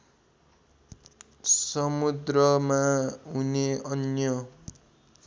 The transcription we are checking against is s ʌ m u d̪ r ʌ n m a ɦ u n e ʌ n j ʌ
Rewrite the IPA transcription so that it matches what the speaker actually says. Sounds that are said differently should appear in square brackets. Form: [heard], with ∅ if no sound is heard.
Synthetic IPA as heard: s ʌ m u d̪ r ʌ [∅] m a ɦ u n e ʌ n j ʌ